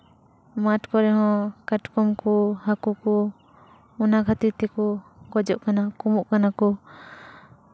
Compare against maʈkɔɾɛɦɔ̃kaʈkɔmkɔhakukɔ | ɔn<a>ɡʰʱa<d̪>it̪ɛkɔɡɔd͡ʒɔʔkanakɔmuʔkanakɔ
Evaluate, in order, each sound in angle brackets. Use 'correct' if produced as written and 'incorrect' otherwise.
correct, incorrect: t̪

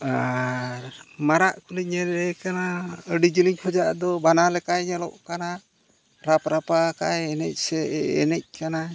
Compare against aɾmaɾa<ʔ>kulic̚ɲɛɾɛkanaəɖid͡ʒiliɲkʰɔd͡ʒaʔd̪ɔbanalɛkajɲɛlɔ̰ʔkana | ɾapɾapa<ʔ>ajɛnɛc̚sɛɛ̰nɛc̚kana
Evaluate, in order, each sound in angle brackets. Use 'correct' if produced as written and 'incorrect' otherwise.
correct, incorrect: k

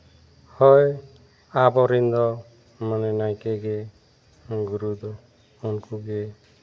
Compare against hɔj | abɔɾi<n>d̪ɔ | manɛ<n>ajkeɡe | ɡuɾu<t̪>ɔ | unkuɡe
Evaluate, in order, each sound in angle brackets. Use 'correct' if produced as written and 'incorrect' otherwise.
correct, correct, incorrect: d̪

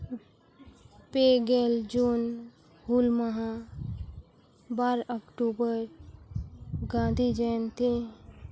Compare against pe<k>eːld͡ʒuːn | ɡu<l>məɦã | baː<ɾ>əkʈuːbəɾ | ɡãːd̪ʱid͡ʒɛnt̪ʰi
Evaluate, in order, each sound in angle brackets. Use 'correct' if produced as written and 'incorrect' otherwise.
incorrect: ɡ, correct, correct

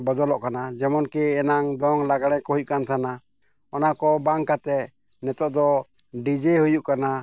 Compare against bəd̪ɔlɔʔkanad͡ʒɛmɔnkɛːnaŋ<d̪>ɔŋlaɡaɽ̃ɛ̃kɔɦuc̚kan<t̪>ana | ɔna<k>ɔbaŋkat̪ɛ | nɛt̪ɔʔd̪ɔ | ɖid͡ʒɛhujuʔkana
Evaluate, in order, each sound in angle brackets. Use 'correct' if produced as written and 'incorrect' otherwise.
correct, incorrect: t̪ʰ, correct

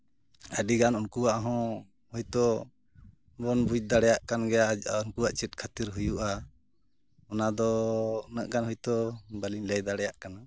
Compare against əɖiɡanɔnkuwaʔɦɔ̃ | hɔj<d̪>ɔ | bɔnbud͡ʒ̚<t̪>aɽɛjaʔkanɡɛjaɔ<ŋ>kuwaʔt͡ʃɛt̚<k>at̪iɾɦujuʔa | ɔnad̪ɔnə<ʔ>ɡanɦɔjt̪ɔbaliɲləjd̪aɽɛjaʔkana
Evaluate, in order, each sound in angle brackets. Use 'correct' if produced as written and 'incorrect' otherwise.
incorrect: t̪, incorrect: d̪, incorrect: n, incorrect: kʰ, correct

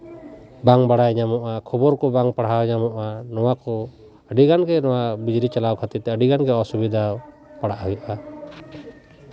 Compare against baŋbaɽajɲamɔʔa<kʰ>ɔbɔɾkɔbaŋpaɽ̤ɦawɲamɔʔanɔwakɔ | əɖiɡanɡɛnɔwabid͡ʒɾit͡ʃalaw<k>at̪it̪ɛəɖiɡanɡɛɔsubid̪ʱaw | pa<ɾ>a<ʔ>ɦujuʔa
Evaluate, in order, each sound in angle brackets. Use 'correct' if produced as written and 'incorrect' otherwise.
correct, incorrect: kʰ, incorrect: ɽ, correct

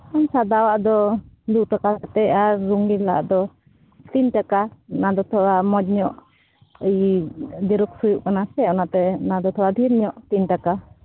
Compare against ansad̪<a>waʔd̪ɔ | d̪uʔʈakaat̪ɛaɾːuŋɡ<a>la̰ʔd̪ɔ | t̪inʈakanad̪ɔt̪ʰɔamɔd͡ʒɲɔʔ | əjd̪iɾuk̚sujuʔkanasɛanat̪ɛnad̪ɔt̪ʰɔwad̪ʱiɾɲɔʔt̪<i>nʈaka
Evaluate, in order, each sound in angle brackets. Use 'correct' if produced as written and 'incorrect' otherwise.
correct, incorrect: i, correct

